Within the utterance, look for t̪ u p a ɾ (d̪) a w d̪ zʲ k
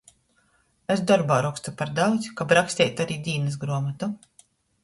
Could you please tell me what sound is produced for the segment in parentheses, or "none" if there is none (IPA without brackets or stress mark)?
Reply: d̪